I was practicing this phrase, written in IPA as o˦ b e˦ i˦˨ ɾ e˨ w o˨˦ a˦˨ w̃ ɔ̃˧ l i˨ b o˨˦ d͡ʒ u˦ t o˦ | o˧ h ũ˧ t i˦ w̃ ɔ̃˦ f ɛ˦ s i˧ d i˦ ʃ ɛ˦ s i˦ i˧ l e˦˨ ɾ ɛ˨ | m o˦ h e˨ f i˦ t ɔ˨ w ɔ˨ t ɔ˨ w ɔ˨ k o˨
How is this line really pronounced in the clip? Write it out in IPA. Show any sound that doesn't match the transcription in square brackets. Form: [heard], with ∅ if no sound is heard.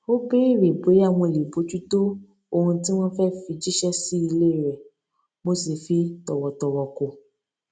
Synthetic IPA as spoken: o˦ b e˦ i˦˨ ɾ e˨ [b] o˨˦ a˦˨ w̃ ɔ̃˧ l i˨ b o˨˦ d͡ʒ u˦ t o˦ | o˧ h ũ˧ t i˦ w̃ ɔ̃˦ f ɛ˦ [f] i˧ [d͡ʒ] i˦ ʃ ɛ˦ s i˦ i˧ l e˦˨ ɾ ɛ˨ | m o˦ [s] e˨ f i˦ t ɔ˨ w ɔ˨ t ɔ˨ w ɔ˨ k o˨

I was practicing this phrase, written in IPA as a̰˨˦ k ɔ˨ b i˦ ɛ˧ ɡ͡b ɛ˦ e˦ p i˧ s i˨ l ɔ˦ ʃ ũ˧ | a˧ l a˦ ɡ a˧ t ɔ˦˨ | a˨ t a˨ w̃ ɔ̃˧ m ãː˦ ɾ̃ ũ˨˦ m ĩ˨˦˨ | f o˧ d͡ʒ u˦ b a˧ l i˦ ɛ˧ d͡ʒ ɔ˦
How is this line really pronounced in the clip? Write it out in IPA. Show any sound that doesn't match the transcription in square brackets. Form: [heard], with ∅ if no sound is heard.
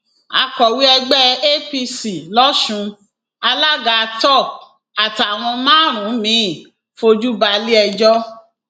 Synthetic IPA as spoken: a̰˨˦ k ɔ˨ [w] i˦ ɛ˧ ɡ͡b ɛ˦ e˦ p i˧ s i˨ l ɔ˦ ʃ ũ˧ | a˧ l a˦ ɡ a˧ t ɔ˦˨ | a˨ t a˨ w̃ ɔ̃˧ m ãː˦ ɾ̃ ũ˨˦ m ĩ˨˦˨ | f o˧ d͡ʒ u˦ b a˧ l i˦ ɛ˧ d͡ʒ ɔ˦

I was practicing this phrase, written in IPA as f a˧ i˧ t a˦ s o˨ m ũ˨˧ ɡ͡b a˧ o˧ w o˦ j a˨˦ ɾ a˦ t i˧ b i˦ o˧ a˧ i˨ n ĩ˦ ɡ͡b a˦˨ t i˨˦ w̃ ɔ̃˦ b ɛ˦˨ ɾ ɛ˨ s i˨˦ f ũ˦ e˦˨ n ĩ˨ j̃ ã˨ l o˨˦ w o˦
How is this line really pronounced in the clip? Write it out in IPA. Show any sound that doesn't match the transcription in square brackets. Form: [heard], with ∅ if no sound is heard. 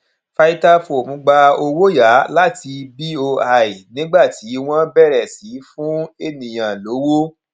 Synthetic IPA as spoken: f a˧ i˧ t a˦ [f] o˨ m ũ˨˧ ɡ͡b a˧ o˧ w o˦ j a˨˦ [l] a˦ t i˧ b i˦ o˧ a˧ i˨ n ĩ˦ ɡ͡b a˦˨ t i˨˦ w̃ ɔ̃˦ b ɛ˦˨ ɾ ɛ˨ s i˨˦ f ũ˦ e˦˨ n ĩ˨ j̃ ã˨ l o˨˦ w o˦

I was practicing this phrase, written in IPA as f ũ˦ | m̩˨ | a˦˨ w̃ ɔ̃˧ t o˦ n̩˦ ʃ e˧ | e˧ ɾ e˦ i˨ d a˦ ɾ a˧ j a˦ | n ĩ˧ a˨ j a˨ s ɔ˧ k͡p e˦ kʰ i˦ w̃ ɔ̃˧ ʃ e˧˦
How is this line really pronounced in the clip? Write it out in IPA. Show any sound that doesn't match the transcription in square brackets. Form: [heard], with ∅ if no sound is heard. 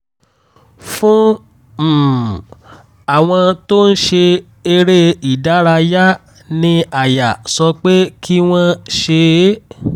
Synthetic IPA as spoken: f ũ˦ | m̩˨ | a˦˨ w̃ ɔ̃˧ t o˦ n̩˦ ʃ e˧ | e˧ ɾ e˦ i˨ d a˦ ɾ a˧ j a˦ | n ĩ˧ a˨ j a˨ s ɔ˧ k͡p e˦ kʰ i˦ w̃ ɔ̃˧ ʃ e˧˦

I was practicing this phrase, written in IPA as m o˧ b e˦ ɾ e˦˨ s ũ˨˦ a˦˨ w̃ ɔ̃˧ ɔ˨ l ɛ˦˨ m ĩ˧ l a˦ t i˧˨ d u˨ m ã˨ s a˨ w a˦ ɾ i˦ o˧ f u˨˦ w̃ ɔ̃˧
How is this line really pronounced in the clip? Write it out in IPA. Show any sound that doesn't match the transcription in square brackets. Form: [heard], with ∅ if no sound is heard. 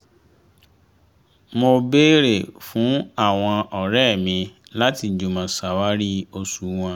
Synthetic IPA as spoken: m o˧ b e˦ ɾ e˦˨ [f] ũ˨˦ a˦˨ w̃ ɔ̃˧ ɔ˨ [ɾ] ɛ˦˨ m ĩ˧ l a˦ t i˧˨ [d͡ʒ] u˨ m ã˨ s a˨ w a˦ ɾ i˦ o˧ [s] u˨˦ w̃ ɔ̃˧

